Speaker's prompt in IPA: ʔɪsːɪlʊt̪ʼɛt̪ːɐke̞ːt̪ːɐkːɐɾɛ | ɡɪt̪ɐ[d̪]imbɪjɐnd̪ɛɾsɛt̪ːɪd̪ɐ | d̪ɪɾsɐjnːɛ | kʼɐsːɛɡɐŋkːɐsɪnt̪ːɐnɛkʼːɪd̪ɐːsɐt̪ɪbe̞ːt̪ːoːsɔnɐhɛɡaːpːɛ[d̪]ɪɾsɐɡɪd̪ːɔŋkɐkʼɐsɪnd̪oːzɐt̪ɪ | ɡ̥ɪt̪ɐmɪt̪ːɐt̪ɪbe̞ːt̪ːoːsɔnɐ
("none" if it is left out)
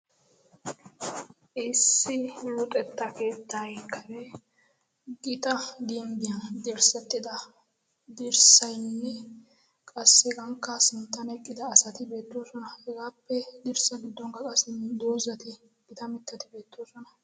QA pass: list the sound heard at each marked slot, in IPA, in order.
d̪, d̪

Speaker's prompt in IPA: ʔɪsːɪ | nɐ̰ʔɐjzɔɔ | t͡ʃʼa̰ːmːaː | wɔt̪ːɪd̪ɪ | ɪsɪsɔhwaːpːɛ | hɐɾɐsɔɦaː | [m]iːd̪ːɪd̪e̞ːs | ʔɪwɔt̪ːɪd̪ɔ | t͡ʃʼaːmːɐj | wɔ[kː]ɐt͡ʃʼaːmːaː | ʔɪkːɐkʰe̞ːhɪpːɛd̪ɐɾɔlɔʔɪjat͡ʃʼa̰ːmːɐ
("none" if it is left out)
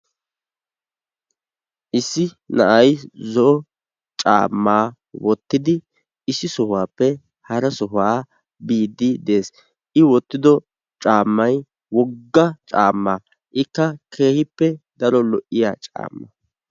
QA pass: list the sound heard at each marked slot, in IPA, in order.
b, ɡː

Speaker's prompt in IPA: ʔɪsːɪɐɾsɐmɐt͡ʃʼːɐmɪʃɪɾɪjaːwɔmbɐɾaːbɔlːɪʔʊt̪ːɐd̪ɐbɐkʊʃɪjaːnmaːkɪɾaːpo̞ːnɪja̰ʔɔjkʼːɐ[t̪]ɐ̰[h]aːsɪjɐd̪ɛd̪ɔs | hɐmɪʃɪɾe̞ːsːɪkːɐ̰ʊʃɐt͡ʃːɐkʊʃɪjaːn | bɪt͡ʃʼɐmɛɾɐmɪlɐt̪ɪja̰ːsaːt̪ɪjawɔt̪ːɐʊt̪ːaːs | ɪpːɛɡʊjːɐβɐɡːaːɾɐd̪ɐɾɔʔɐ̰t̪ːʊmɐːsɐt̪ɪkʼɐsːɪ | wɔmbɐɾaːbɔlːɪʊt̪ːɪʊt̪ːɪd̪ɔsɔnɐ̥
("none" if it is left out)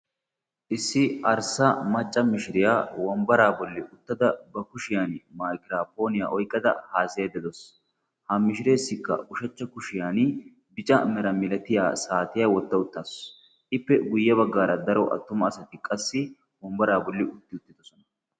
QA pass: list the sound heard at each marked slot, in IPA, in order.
d̪, h

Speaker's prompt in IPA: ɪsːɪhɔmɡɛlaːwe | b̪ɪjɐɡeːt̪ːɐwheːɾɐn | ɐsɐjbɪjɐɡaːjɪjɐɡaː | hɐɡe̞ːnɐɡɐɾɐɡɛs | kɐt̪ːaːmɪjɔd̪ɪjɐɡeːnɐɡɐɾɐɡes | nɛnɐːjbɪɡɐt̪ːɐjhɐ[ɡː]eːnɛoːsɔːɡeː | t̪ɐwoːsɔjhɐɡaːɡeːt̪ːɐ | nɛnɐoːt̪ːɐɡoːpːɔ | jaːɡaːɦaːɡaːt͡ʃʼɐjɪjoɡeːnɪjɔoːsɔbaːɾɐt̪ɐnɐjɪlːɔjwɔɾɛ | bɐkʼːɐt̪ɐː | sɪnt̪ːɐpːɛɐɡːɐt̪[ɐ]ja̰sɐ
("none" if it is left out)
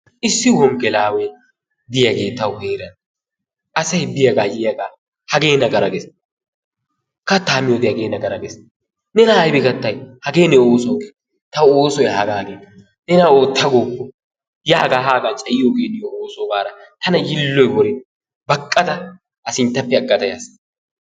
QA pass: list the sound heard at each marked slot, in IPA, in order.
ɡ, ɐ

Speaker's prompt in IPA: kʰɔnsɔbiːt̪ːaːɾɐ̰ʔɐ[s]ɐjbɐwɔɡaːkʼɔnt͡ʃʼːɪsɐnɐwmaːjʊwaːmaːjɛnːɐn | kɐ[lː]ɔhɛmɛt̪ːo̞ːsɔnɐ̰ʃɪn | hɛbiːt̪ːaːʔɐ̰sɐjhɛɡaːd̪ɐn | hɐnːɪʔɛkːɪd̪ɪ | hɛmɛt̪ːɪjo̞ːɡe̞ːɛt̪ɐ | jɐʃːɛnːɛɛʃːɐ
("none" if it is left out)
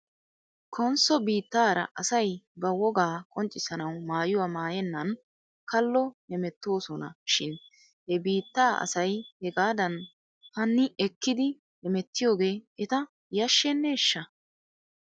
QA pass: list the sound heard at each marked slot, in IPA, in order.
s, lː

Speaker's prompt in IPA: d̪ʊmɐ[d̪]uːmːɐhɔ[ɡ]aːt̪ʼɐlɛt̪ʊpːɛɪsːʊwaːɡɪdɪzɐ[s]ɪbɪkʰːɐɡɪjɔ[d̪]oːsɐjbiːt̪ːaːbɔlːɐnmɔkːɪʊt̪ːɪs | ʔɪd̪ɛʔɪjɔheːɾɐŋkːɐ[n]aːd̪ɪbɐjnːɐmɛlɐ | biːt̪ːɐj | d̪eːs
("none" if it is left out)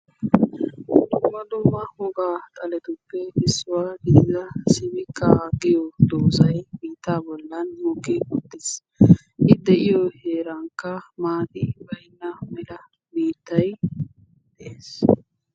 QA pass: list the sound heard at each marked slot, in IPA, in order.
d̪, ɡ, s, d̪, m

